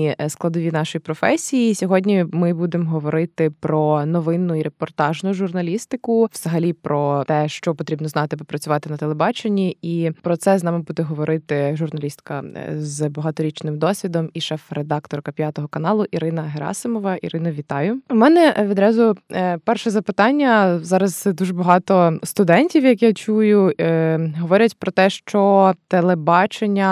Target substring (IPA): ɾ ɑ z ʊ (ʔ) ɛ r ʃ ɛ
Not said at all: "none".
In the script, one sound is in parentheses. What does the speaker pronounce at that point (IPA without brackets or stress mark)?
p